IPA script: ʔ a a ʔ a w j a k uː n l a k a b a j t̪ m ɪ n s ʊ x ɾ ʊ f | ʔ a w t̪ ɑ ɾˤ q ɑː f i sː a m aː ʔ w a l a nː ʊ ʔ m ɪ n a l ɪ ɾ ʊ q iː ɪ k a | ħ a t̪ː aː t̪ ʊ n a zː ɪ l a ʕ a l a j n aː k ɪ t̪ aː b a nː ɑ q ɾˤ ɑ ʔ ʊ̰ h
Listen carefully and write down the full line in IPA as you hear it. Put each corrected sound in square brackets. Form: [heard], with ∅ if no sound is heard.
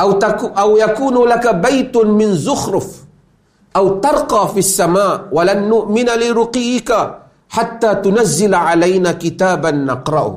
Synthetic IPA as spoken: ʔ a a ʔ a w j a k uː n l a k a b a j t̪ m ɪ n [z] ʊ x ɾ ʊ f | ʔ a w t̪ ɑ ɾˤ q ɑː f i sː a m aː ʔ w a l a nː ʊ ʔ m ɪ n a l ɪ ɾ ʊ q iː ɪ k a | ħ a t̪ː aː t̪ ʊ n a zː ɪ l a ʕ a l a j n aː k ɪ t̪ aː b a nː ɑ q ɾˤ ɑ ʔ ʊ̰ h